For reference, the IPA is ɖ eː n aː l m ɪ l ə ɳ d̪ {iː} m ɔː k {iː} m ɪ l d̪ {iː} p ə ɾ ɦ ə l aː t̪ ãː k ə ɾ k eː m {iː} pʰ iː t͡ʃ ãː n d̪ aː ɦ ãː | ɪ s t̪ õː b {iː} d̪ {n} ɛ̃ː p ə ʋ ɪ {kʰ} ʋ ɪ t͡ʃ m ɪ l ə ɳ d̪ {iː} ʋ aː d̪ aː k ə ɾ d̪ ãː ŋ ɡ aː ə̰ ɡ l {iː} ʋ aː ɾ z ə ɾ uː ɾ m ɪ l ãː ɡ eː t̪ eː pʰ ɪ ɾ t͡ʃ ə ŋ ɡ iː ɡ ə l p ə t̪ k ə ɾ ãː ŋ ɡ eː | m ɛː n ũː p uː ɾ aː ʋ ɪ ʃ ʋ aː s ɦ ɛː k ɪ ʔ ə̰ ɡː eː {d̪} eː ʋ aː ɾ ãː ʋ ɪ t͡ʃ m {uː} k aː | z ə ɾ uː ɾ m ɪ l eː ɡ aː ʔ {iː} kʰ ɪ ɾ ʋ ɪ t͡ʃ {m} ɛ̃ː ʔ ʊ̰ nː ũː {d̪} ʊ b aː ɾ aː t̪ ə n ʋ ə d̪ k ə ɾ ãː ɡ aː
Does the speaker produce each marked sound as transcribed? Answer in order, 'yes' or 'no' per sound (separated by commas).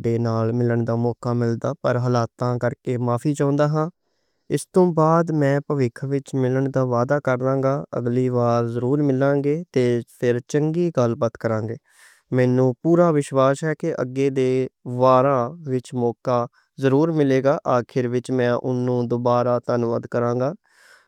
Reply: no, no, no, no, no, no, yes, no, yes, yes, no, no, yes, yes